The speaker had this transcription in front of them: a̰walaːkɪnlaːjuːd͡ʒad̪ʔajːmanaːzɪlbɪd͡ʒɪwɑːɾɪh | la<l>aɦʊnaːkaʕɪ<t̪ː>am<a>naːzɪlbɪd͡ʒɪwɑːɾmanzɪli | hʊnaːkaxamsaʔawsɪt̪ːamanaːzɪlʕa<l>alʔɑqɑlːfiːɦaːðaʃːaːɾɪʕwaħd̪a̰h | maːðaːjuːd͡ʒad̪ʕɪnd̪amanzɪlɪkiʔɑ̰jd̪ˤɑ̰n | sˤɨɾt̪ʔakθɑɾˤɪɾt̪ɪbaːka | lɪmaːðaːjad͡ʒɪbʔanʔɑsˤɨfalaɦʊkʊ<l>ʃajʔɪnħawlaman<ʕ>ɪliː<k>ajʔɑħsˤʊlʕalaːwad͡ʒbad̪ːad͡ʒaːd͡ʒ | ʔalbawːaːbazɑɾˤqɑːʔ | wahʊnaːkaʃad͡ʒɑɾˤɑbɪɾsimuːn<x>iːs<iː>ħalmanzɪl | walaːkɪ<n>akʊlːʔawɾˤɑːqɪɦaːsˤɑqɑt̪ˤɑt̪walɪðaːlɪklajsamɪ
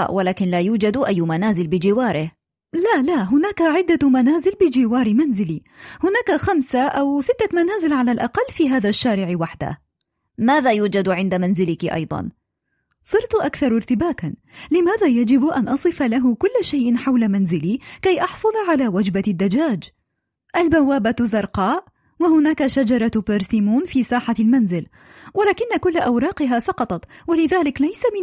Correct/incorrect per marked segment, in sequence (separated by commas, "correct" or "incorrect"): correct, incorrect, correct, correct, incorrect, incorrect, correct, incorrect, incorrect, incorrect